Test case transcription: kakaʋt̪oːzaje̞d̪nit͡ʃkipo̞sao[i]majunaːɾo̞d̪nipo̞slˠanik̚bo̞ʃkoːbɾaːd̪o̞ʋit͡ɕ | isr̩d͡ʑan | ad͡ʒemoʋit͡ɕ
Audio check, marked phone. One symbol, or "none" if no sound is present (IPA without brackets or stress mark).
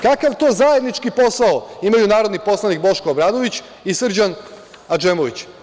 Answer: i